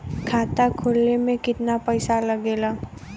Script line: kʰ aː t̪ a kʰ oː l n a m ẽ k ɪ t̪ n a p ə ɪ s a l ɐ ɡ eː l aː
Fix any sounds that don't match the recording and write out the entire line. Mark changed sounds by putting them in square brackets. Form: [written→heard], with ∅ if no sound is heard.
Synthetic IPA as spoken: kʰ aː t̪ a kʰ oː l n [a→e] m ẽ k ɪ t̪ n a p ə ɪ s a l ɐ ɡ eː l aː